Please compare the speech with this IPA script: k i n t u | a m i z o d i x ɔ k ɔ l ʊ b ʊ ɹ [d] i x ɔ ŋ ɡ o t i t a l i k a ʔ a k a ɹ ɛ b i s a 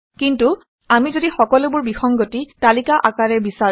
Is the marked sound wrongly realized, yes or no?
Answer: yes